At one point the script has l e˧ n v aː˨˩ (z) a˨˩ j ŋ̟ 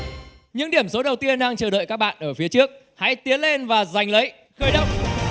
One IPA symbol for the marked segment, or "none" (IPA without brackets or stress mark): z